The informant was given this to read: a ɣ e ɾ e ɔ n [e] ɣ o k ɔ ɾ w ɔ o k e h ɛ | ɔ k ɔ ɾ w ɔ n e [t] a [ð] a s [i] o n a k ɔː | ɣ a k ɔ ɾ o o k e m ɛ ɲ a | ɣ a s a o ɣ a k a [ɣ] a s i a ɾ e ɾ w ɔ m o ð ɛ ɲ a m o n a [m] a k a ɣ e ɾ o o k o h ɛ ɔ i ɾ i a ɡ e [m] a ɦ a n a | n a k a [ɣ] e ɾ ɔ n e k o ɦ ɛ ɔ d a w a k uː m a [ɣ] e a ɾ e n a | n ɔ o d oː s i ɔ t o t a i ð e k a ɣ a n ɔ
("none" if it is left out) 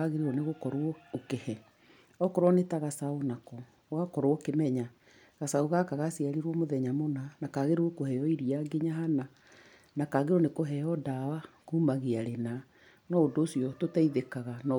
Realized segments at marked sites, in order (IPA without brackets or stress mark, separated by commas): e, t, ɣ, a, ɣ, n, ɲ, ɣ, ɣ